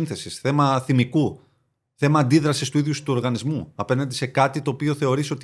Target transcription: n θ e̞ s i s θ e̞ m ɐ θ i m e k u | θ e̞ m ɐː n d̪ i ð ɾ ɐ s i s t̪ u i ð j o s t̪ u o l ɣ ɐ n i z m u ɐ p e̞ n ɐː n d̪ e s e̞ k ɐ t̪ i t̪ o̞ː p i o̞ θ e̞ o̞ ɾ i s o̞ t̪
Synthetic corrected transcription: n θ e̞ s i s θ e̞ m ɐ θ i m i k u | θ e̞ m ɐː n d̪ i ð ɾ ɐ s i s t̪ u i ð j u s t̪ u o ɾ ɣ ɐ n i z m u ɐ p e̞ n ɐ n d̪ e s e̞ k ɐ t̪ i t̪ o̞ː p i o̞ θ e̞ o̞ ɾ i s o̞ t̪